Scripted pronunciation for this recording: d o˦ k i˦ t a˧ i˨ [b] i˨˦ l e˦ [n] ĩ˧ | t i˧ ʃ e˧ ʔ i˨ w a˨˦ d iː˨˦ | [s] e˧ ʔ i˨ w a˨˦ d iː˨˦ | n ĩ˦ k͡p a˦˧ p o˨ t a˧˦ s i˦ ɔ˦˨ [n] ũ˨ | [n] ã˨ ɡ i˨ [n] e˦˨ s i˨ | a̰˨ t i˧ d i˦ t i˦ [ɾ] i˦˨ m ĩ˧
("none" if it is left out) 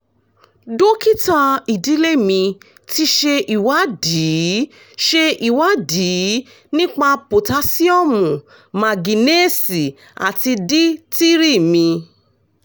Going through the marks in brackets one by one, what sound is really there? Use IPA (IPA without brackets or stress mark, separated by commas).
d, m, ʃ, m, m, n, ɾ